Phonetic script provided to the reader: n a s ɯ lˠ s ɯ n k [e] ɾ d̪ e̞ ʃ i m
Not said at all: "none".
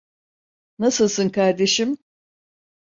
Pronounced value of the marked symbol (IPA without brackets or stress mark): a